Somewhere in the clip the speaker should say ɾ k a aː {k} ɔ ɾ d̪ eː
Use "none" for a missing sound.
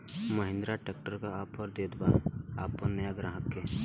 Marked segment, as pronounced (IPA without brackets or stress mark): p